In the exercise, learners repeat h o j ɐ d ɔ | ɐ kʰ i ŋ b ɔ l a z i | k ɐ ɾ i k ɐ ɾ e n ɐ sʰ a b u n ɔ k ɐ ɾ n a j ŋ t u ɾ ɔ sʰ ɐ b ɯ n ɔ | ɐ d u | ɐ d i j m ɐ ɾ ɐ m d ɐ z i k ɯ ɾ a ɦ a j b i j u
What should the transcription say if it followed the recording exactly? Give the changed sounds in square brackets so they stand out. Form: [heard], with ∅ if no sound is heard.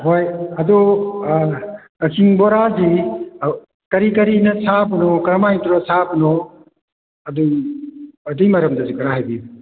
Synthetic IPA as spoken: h o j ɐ d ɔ | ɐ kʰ i ŋ b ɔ [ɾ] a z i | k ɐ ɾ i k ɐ ɾ [i] n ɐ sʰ a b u n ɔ k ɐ ɾ [m] a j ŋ t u ɾ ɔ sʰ [a] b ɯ n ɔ | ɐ d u | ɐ d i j m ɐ ɾ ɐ m d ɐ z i k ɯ ɾ a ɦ a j b i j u